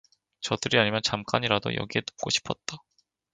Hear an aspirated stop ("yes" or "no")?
yes